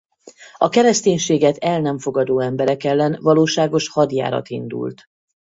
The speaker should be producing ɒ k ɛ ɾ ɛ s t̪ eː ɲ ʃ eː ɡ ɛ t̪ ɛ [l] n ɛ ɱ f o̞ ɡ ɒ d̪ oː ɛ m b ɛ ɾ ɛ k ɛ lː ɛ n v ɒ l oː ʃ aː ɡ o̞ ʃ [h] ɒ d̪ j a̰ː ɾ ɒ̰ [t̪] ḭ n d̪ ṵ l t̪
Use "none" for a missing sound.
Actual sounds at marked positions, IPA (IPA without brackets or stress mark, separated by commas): l, h, t̪